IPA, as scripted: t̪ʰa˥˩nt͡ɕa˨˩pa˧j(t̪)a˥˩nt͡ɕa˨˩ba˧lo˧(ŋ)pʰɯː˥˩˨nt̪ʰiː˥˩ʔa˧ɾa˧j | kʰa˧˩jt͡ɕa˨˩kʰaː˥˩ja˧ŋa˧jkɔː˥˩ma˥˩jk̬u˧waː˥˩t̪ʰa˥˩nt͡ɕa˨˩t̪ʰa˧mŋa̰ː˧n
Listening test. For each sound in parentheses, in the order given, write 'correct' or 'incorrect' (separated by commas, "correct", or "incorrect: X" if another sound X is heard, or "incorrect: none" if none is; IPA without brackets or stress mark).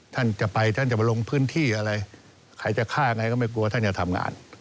incorrect: t̪ʰ, correct